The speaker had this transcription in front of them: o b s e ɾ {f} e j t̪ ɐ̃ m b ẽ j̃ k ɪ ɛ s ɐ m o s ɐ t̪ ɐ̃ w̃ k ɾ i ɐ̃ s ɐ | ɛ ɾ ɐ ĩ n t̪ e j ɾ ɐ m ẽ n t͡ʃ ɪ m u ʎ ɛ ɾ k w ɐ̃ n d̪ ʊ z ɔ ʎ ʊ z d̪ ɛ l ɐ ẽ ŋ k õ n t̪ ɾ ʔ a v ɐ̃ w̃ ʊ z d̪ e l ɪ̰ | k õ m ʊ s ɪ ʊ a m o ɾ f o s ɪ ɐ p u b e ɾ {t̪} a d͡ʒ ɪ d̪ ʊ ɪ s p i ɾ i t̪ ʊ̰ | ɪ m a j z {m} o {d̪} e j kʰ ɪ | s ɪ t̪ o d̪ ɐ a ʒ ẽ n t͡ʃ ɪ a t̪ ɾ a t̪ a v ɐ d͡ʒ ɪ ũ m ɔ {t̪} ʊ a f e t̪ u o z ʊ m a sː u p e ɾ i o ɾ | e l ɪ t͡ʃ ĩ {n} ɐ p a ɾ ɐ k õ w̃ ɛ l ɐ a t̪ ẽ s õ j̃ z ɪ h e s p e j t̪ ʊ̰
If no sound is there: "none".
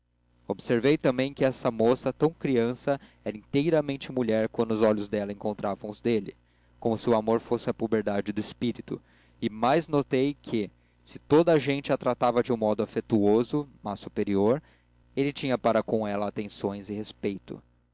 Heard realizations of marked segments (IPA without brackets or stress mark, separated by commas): v, d̪, n, t̪, d̪, ɲ